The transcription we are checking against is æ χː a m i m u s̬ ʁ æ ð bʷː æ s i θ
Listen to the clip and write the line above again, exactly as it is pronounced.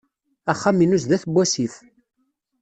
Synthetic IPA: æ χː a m i n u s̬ ð æ θ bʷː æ s i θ